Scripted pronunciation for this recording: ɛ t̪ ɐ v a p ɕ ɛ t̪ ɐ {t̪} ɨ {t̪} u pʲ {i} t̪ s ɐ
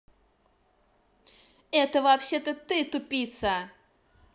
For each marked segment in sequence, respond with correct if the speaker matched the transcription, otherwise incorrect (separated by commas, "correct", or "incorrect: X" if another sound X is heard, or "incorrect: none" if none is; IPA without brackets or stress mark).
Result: correct, correct, correct